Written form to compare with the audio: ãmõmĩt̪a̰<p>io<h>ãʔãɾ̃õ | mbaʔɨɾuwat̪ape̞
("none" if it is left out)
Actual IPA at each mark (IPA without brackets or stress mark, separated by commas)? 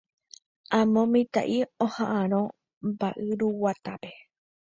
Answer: ʔ, h